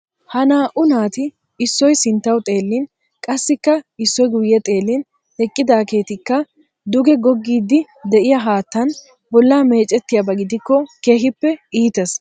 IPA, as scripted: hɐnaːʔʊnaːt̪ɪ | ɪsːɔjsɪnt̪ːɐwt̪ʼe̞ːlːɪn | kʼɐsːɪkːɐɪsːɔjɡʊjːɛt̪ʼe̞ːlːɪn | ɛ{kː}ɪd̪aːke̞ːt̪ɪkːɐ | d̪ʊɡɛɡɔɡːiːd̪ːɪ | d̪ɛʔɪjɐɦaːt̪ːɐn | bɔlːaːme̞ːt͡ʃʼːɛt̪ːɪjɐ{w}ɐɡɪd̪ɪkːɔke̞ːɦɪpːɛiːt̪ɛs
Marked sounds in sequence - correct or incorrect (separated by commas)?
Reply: incorrect, incorrect